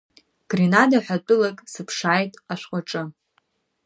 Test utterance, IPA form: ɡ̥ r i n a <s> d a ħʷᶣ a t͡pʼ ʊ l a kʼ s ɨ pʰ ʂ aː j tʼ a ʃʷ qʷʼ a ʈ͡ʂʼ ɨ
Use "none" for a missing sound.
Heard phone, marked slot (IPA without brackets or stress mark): none